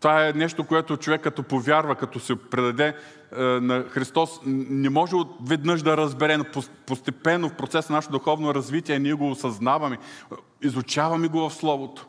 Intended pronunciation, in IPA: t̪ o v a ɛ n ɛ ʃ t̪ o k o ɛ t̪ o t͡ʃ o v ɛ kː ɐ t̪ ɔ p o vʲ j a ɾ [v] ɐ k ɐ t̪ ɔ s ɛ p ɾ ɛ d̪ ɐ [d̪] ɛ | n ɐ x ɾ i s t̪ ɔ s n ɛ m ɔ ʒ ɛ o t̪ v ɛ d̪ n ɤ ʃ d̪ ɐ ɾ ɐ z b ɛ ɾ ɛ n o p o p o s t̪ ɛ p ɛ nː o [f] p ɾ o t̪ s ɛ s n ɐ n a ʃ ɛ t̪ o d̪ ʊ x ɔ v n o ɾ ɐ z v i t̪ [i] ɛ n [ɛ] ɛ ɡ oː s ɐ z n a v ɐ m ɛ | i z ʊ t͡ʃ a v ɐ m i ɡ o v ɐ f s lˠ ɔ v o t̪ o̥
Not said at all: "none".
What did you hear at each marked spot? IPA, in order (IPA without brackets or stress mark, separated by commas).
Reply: v, d̪, f, i, i